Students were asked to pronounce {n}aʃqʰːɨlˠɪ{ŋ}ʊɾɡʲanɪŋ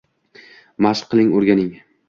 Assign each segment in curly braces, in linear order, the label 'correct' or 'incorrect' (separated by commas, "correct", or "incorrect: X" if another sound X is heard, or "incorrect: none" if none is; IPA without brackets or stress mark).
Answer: incorrect: m, correct